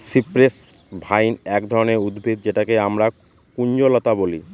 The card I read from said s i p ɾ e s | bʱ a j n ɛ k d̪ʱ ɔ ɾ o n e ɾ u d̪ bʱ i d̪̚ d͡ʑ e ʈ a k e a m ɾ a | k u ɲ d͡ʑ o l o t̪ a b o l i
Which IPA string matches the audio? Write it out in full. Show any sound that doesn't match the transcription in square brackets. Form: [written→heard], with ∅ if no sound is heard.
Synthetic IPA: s i p ɾ e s | bʱ a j n ɛ k d̪ʱ ɔ ɾ o n e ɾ u d̪ bʱ i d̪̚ d͡ʑ e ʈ a k e a m ɾ a | k u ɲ d͡ʑ o l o t̪ a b o l i